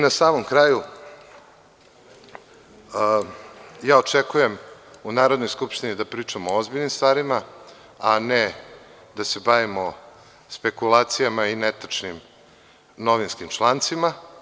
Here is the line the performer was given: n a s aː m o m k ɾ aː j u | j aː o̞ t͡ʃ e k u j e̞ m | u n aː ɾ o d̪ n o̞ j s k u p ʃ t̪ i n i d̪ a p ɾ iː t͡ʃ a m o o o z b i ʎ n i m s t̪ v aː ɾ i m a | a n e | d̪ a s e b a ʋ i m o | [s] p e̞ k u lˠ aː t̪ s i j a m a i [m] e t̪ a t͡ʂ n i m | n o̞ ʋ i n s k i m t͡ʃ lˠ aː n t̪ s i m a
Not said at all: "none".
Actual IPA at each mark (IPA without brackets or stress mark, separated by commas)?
s, n